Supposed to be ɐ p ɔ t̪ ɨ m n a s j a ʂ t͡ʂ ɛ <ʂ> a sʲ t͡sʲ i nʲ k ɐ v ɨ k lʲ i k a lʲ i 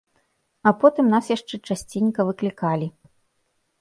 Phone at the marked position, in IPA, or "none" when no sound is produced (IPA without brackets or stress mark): t͡ʂ